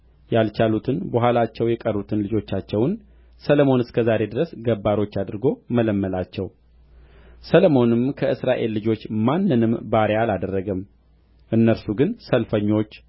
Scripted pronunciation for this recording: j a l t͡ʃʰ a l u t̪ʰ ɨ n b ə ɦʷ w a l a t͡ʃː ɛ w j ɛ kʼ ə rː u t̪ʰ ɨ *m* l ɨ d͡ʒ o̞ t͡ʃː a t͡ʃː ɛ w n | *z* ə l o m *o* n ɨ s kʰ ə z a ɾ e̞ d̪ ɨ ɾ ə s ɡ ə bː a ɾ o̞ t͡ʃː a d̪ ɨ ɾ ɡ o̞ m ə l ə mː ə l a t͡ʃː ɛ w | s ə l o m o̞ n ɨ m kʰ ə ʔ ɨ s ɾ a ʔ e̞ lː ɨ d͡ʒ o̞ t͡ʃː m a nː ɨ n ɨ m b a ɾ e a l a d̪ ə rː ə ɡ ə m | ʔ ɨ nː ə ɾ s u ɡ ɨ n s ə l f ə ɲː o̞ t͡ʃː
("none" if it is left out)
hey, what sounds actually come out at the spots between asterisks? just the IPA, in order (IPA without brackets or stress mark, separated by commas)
n, s, o